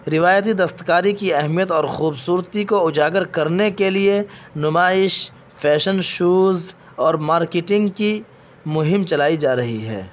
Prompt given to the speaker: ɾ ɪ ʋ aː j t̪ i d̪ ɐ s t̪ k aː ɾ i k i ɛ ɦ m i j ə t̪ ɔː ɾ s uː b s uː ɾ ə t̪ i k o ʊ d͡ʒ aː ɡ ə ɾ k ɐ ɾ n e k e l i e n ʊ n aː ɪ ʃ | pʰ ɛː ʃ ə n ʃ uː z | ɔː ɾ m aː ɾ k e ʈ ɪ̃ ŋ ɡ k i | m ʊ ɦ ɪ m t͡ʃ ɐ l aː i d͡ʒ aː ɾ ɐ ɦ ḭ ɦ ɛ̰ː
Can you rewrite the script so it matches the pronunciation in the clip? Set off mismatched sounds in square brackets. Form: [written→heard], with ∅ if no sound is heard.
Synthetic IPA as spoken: ɾ ɪ ʋ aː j t̪ i d̪ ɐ s t̪ k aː ɾ i k i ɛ ɦ m i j ə t̪ ɔː ɾ [s→x] uː b s uː ɾ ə t̪ i k o ʊ d͡ʒ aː ɡ ə ɾ k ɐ ɾ n e k e l i e n ʊ [n→m] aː ɪ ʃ | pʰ ɛː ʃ ə n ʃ uː z | ɔː ɾ m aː ɾ k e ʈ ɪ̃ ŋ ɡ k i | m ʊ ɦ ɪ m t͡ʃ ɐ l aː i d͡ʒ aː ɾ ɐ ɦ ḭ ɦ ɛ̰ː